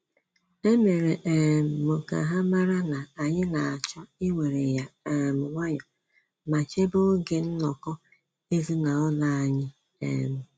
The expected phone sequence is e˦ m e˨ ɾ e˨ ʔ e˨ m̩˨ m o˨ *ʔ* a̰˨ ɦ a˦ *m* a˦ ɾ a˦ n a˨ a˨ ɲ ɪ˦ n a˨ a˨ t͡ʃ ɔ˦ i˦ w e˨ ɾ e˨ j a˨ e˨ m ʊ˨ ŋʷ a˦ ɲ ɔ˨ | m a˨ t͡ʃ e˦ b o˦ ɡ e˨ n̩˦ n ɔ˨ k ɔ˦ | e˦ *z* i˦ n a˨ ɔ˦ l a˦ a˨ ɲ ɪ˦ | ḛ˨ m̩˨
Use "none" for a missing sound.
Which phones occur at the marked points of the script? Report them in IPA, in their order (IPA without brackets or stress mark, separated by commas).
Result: k, m, z